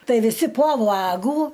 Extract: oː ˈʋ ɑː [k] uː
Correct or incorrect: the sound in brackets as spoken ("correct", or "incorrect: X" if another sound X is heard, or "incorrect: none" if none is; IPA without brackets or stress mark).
incorrect: ɡ